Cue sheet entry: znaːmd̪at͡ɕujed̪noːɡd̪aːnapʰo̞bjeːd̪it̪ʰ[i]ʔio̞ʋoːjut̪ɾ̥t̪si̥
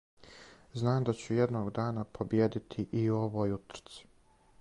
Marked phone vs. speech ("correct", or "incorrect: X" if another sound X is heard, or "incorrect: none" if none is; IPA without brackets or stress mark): correct